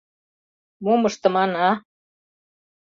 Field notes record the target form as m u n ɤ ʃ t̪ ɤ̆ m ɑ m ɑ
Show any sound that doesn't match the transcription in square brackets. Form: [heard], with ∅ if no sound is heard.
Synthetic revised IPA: m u [m] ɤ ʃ t̪ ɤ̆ m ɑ [n] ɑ